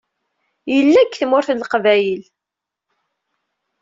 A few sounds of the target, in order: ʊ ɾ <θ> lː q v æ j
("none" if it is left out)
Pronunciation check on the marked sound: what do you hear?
θ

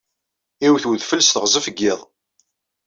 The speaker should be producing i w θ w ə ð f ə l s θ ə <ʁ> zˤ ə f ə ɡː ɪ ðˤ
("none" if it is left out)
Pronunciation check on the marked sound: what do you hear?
ʁ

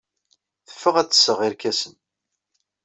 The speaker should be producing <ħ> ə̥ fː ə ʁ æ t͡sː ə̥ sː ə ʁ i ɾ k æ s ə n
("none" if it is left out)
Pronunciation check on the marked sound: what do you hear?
θ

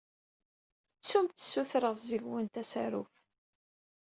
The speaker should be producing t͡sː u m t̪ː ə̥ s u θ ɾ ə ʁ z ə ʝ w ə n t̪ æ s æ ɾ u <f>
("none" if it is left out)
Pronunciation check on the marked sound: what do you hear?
f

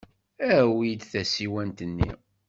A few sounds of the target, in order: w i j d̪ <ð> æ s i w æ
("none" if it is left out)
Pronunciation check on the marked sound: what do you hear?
θ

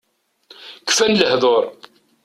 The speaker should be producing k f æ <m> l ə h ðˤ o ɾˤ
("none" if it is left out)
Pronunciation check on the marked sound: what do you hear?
n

